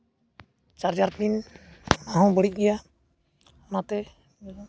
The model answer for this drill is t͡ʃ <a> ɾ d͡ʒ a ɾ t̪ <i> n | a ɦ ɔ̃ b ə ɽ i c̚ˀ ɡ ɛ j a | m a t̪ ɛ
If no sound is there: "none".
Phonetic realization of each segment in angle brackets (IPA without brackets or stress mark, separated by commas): a, i